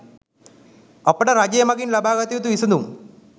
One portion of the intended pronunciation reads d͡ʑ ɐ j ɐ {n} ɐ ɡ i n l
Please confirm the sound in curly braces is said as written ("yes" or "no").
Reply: no